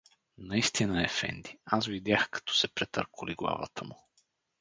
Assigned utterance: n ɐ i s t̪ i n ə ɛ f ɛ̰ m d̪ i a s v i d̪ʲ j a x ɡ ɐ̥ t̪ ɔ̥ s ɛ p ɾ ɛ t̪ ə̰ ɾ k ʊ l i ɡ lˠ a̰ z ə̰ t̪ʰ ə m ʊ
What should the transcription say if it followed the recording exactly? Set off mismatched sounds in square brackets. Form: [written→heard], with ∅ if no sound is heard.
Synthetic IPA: n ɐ i s t̪ i n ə ɛ f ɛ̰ [m→n] d̪ i a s v i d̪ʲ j a x [ɡ→k] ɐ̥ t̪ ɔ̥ s ɛ p ɾ ɛ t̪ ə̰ ɾ k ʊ l i ɡ lˠ a̰ [z→v] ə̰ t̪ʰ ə m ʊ